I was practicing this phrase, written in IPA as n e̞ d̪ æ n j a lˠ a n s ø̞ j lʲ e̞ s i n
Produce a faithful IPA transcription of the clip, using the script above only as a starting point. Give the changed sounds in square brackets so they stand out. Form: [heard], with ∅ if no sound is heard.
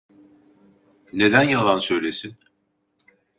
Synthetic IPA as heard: n e̞ d̪ æ n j a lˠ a n s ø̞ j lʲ e̞ s i n